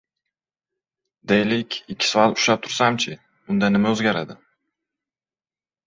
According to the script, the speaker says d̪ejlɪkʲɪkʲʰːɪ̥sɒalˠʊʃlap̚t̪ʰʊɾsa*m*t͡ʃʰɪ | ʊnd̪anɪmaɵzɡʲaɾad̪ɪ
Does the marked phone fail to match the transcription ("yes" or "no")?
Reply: no